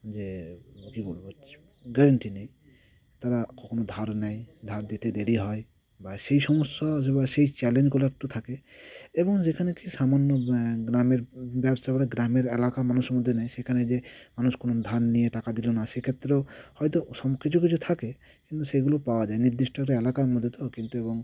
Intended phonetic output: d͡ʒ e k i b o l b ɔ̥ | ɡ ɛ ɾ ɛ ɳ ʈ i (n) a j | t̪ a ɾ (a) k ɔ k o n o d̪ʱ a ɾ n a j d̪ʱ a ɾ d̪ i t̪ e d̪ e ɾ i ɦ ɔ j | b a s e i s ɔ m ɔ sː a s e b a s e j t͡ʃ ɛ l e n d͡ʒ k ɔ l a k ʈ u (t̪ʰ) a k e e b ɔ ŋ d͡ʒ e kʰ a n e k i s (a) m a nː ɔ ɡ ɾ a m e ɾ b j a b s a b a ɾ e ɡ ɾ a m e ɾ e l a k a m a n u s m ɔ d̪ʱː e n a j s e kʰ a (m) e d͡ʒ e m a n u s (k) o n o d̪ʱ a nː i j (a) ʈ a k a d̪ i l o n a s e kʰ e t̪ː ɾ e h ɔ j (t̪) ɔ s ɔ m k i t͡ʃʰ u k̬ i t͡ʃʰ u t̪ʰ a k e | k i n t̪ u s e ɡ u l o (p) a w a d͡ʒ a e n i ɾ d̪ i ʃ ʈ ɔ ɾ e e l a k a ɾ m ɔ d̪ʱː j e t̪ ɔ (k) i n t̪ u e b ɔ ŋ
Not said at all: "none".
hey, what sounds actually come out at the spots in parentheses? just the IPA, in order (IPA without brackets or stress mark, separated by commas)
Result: n, a, t̪ʰ, a, n, k, e, t̪, p, k